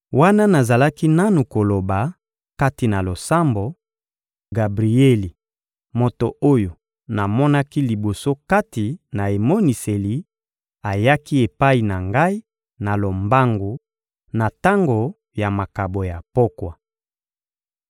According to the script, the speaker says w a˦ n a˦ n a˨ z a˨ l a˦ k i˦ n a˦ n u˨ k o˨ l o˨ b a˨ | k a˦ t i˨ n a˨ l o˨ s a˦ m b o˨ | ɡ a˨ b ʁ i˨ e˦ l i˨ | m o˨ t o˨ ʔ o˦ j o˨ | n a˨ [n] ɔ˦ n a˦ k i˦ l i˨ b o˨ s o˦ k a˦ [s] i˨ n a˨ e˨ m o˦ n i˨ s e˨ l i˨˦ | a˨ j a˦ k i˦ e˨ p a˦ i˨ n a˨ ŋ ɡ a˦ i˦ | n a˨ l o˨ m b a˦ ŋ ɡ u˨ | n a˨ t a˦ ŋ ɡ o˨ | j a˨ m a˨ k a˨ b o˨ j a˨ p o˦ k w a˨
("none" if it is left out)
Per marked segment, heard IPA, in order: m, t

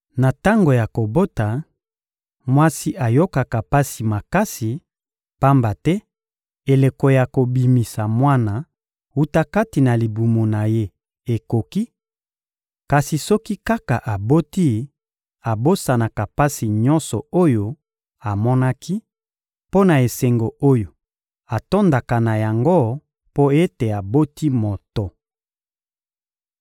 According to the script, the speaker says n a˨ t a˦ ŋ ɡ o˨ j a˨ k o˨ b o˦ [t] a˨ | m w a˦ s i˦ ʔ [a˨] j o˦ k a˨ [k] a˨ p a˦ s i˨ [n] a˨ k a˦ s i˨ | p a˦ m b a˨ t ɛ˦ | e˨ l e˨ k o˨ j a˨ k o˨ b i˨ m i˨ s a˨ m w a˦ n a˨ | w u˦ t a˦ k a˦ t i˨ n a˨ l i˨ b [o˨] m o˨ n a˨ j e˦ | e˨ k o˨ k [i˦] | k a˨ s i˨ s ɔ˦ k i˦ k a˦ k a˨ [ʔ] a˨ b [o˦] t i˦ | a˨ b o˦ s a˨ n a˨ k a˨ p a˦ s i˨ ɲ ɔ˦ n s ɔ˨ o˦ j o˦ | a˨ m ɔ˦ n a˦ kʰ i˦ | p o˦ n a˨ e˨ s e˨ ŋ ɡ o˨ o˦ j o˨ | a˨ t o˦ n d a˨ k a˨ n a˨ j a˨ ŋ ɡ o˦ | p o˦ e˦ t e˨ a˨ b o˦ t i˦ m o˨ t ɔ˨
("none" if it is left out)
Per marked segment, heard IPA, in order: t, a˨, k, m, u˨, i˦, ʔ, o˦

